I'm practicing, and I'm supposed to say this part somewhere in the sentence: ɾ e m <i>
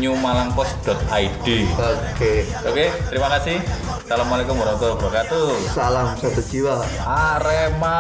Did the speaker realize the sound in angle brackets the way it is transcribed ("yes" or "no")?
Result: no